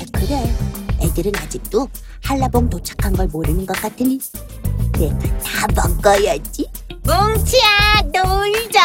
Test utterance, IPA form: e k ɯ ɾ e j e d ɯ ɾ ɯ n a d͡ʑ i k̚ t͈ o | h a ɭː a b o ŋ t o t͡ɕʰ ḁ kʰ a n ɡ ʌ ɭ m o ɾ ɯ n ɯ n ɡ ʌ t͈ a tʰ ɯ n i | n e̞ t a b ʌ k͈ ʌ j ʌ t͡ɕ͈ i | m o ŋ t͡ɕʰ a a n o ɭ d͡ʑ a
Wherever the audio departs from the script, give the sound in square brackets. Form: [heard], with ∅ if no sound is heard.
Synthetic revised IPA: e k ɯ ɾ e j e d ɯ ɾ ɯ n a d͡ʑ i k̚ t͈ o | h a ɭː a b o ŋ t o t͡ɕʰ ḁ kʰ a n ɡ ʌ ɭ m o ɾ ɯ n ɯ n ɡ ʌ [k͈] a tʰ ɯ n i | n e̞ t a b ʌ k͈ ʌ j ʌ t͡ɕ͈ i | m o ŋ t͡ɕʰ [i] a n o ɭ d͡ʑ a